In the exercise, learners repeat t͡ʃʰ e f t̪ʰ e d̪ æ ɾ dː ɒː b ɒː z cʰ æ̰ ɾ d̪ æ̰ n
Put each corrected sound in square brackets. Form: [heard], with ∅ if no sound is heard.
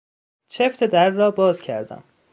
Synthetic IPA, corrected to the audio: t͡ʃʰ e f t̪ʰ e d̪ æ ɾ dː ɒː b ɒː z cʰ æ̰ ɾ d̪ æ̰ [m]

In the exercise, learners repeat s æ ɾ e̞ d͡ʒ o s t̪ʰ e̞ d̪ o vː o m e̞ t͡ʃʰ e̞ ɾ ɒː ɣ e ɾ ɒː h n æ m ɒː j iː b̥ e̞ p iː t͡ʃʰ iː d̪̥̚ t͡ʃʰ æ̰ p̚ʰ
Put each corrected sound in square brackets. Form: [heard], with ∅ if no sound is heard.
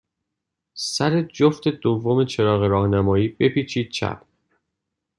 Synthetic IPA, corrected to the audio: s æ ɾ e̞ d͡ʒ o [f] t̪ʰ e̞ d̪ o vː o m e̞ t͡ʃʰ e̞ ɾ ɒː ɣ e ɾ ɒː h n æ m ɒː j iː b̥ e̞ p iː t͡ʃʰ iː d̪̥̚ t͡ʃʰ æ̰ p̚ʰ

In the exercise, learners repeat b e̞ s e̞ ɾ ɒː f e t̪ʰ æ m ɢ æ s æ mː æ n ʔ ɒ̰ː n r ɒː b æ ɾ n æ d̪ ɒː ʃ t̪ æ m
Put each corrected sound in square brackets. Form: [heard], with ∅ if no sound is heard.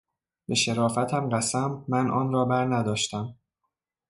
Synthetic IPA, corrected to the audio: b e̞ [ʃ] e̞ ɾ ɒː f [æ] t̪ʰ æ m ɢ æ s æ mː æ n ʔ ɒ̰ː n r ɒː b æ ɾ n æ d̪ ɒː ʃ t̪ æ m

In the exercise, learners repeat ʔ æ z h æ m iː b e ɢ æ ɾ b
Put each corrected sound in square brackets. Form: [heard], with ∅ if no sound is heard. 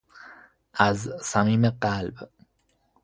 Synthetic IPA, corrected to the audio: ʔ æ z [s] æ m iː [m] e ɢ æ [l] b

